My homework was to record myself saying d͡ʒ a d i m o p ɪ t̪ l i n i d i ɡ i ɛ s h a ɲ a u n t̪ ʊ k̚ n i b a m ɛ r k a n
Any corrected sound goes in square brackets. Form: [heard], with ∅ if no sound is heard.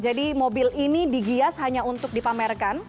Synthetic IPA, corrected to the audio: d͡ʒ a d i m o [b] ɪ [∅] l i n i d i ɡ i [a] s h a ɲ a u n t̪ ʊ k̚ [d] i [p] a m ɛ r k a n